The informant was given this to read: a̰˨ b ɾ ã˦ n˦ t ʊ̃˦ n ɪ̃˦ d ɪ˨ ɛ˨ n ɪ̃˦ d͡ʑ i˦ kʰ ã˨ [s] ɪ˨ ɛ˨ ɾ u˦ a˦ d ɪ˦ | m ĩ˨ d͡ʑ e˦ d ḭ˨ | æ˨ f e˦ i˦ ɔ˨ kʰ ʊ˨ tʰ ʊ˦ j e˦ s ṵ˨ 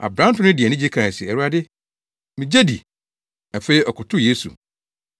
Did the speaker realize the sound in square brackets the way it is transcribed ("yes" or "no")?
yes